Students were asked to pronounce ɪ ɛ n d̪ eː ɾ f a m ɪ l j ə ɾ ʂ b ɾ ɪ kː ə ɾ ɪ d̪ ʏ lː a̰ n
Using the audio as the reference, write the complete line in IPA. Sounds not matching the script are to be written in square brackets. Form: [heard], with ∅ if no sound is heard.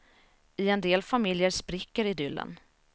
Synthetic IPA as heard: ɪ ɛ n d̪ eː [l] f a m ɪ l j ə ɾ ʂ [p] ɾ ɪ kː ə ɾ ɪ d̪ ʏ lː [ə̰] n